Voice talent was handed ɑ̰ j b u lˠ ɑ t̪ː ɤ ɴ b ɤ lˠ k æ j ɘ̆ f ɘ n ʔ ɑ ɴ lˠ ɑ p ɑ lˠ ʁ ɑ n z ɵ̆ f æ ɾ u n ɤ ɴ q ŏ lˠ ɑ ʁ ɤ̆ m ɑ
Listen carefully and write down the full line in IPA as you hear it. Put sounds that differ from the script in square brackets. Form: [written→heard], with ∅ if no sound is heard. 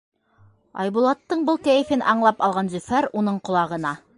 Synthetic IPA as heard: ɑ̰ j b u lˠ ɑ t̪ː ɤ ɴ b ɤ lˠ k æ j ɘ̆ f ɘ n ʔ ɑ ɴ lˠ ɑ p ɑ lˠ ʁ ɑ n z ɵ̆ f æ ɾ u n ɤ ɴ q ŏ lˠ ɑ ʁ ɤ̆ [m→n] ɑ